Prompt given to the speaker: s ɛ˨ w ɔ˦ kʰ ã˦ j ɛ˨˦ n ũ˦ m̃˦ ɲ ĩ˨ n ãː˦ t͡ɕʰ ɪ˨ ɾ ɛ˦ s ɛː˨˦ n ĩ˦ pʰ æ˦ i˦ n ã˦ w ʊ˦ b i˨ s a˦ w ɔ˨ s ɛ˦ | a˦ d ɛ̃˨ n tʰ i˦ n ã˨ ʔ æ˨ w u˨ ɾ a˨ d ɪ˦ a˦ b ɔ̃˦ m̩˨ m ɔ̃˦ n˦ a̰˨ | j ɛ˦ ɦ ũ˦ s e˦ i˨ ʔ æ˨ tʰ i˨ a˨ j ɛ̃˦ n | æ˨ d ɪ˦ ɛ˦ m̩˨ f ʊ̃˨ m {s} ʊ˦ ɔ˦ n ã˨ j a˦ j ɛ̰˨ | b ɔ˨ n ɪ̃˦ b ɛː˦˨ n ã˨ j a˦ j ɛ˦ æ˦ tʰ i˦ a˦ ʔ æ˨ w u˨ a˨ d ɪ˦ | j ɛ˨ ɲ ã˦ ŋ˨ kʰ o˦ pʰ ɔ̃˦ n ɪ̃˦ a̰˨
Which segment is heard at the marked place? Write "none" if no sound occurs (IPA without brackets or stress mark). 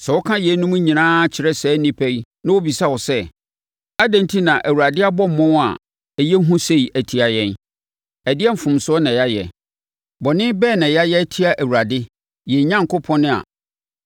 s